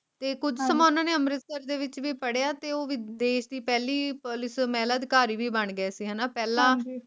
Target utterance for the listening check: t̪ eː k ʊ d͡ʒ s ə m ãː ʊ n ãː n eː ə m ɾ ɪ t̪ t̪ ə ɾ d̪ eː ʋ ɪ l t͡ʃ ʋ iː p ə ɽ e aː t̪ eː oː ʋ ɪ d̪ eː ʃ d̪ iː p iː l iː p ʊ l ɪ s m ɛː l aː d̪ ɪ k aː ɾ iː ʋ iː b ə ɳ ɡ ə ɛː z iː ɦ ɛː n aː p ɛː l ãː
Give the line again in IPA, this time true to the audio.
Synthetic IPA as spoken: t̪ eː k ʊ d͡ʒ s ə m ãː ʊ n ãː n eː ə m ɾ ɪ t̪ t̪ ə ɾ d̪ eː ʋ ɪ t͡ʃ ʋ iː p ə ɽ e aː t̪ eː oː ʋ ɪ d̪ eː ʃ d̪ iː p ɛː l iː p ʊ l ɪ s m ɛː l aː d̪ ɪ k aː ɾ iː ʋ iː b ə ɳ ɡ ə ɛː s iː ɦ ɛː n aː p ɛː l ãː

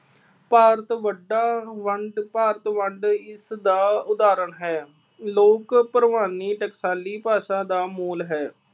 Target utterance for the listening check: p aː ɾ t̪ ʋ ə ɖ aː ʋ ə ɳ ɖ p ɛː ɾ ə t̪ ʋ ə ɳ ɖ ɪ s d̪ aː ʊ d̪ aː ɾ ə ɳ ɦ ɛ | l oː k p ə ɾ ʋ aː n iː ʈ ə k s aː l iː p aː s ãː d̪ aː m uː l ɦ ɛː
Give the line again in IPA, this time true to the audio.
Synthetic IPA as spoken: p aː ɾ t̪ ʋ ə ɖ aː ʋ ə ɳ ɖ p aː ɾ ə t̪ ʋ ə ɳ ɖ ɪ s d̪ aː ʊ d̪ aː ɾ ə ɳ ɦ ɛː | l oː k p ə ɾ ʋ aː n iː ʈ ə k s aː l iː p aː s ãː d̪ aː m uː l ɦ ɛː

